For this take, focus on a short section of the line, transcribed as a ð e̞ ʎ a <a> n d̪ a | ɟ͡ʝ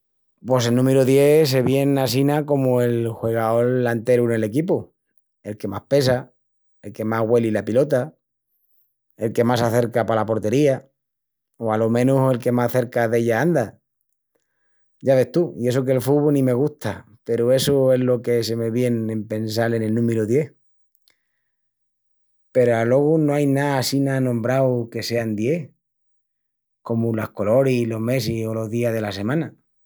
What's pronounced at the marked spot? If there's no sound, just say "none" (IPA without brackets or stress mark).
a